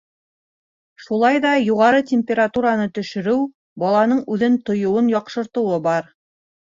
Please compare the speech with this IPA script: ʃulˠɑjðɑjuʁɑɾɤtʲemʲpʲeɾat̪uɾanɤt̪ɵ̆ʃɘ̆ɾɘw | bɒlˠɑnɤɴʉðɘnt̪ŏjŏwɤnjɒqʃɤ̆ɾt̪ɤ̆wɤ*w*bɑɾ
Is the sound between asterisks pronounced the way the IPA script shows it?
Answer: no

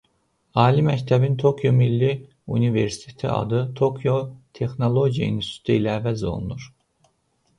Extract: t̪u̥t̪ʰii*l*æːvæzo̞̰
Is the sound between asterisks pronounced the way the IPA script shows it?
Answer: yes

